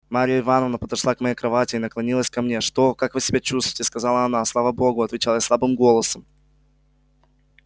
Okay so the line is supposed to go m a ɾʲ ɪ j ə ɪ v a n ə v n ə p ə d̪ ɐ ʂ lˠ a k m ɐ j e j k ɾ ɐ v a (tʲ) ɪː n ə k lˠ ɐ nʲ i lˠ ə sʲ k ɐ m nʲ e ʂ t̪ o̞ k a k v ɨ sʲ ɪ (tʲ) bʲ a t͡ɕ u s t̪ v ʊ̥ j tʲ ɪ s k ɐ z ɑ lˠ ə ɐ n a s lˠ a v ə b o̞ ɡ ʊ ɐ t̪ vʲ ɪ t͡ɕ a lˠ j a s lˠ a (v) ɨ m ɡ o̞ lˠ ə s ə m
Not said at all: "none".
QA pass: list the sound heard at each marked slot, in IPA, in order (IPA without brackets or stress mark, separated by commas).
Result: tʲ, none, b